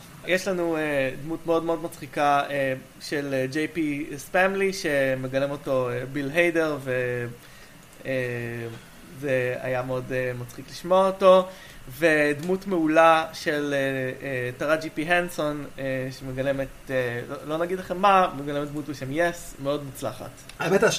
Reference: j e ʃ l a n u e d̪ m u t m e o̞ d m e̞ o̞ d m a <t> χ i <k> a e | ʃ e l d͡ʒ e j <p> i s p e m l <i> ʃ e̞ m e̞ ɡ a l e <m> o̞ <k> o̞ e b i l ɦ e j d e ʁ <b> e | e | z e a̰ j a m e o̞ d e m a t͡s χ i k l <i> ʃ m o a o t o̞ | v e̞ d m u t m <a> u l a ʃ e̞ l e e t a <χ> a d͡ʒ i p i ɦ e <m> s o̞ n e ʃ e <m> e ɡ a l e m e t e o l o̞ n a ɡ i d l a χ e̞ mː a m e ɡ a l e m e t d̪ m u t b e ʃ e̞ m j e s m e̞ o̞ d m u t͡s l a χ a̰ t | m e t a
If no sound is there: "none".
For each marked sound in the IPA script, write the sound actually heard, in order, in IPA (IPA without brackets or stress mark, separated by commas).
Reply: t͡s, k, p, i, m, t, v, i, e, ʁ, n, m